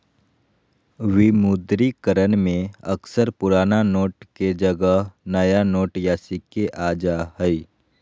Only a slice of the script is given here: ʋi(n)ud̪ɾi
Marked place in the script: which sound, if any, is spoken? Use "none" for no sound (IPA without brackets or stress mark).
m